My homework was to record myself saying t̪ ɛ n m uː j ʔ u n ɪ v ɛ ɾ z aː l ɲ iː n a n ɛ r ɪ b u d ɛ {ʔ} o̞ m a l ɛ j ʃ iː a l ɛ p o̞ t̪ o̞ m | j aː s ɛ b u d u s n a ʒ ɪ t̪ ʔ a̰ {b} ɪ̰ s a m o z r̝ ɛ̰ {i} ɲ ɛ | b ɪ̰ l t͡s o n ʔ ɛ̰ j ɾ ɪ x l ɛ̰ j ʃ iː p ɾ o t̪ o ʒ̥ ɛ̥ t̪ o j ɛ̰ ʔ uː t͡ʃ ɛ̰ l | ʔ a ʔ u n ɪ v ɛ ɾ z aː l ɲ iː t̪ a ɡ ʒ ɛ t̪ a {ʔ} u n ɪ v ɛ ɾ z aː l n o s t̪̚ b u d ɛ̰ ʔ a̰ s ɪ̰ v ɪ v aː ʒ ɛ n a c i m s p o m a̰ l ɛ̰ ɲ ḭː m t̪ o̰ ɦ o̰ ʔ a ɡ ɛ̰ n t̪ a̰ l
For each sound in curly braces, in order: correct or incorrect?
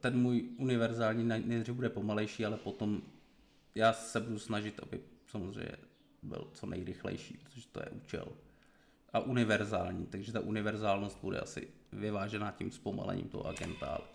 incorrect: p, correct, incorrect: j, correct

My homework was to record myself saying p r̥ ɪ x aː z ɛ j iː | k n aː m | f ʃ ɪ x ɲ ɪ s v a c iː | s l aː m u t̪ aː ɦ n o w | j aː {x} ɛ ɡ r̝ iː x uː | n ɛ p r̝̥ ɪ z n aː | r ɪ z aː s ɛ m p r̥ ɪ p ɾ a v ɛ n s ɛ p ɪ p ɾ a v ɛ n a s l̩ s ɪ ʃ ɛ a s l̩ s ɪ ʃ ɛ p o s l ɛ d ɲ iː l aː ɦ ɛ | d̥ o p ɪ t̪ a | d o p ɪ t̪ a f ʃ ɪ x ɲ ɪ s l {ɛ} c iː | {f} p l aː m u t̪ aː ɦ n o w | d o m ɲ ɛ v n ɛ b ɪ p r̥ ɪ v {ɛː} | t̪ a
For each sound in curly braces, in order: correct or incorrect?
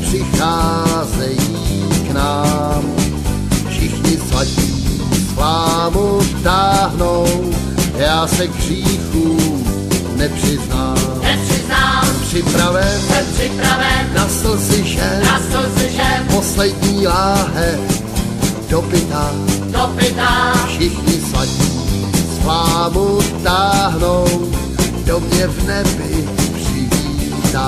incorrect: s, incorrect: a, incorrect: s, incorrect: iː

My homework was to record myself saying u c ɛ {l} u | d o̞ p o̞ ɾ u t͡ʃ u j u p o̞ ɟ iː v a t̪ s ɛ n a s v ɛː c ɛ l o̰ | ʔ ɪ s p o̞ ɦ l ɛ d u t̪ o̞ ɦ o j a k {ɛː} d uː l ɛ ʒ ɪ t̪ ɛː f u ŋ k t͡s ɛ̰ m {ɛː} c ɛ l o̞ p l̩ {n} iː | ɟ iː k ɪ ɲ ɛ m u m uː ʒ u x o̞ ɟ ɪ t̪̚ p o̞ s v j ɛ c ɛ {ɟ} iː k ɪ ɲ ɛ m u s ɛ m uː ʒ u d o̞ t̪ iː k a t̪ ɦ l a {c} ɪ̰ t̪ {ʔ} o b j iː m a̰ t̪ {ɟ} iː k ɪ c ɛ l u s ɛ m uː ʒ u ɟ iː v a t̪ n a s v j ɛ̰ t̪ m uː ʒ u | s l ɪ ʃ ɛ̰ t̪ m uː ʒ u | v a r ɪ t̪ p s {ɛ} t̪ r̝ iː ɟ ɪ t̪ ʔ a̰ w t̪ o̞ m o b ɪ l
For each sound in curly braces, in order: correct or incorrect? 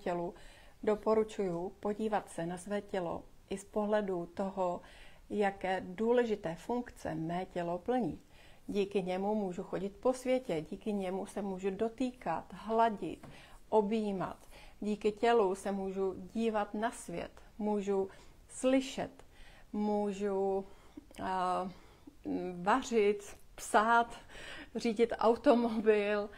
correct, correct, correct, incorrect: ɲ, correct, incorrect: ɟ, correct, correct, incorrect: a

